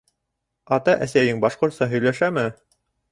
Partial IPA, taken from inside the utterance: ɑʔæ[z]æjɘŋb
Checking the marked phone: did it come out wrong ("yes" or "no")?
yes